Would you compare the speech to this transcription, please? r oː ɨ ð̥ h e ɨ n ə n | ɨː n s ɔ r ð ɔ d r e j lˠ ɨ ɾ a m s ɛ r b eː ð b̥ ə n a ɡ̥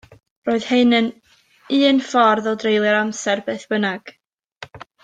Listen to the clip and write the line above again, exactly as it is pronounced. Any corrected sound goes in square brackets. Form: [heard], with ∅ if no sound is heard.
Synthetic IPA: r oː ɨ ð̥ h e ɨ n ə n | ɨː n [f] ɔ r ð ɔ d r e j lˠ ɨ ɾ a m s ɛ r b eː [θ] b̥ ə n a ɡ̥